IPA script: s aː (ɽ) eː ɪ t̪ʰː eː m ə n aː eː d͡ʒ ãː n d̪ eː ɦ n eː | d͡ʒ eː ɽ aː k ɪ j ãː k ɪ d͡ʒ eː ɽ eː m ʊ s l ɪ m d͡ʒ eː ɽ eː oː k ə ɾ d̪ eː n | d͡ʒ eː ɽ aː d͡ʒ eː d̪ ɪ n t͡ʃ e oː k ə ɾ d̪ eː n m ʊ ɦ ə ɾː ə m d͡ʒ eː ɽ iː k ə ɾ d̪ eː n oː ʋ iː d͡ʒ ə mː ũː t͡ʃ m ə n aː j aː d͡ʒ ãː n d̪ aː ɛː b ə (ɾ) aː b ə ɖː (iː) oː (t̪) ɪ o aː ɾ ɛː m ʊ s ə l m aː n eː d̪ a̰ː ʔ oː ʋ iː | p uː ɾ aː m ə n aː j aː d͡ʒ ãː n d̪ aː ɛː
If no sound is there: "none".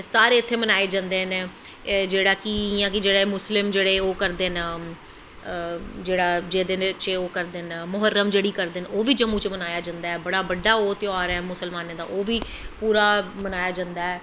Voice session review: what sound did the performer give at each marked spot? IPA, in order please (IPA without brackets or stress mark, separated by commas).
ɾ, ɽ, aː, t̪